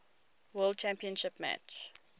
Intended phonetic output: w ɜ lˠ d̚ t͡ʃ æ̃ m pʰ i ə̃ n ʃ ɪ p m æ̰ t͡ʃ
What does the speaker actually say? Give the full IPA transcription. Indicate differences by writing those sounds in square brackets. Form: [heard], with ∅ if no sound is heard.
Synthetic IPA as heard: w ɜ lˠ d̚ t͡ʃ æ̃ m [p] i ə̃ n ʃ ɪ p m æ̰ t͡ʃ